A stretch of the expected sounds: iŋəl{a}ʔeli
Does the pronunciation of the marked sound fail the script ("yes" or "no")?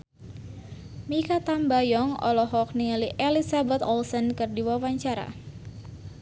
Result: yes